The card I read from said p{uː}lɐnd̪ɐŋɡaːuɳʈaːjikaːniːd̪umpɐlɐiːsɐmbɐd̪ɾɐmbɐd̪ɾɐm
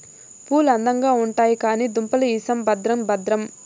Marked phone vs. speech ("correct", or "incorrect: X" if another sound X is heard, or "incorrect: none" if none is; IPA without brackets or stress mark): correct